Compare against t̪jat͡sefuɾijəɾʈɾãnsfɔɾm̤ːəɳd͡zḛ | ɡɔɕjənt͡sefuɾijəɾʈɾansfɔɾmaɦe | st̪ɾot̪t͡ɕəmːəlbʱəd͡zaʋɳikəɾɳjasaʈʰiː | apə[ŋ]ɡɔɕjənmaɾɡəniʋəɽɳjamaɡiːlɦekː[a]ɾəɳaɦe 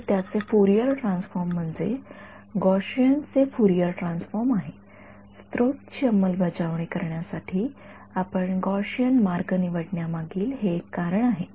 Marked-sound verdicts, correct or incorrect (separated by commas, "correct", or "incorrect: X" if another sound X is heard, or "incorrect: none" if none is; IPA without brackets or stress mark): incorrect: ɳ, correct